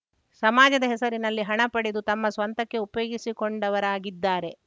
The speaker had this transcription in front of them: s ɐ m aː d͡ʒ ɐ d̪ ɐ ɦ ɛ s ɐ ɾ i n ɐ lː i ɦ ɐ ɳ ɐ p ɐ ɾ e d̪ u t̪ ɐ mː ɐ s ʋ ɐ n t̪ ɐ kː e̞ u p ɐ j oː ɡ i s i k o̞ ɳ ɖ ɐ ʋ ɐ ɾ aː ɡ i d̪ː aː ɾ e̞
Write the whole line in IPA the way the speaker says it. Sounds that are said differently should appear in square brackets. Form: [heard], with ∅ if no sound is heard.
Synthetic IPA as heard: s ɐ m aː d͡ʒ ɐ d̪ ɐ ɦ ɛ s ɐ ɾ i n ɐ lː i ɦ ɐ ɳ ɐ p ɐ [ɽ] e d̪ u t̪ ɐ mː ɐ s ʋ ɐ n t̪ ɐ kː e̞ u p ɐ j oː ɡ i s i k o̞ ɳ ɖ ɐ ʋ ɐ ɾ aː ɡ i d̪ː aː ɾ e̞